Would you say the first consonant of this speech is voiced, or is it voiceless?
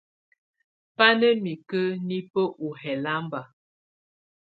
voiceless